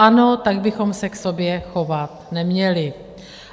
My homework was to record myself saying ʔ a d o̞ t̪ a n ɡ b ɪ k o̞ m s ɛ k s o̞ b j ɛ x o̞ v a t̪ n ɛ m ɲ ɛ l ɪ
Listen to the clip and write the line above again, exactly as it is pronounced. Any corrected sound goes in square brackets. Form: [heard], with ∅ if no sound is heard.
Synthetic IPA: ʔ a [n] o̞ t̪ a [∅] ɡ b ɪ [x] o̞ m s ɛ k s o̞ b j ɛ x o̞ v a t̪ n ɛ m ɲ ɛ l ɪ